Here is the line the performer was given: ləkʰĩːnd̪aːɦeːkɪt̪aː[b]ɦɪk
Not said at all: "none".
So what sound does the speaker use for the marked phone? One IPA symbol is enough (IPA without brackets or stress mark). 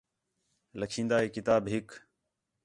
b